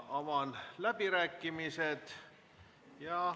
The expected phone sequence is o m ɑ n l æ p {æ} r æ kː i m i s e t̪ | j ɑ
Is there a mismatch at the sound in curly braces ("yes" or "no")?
yes